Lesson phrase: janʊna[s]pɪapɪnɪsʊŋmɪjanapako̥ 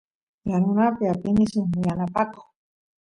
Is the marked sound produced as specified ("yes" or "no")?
no